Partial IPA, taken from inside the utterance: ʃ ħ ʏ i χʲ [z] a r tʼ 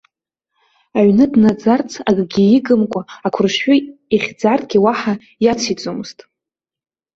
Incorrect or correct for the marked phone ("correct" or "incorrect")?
incorrect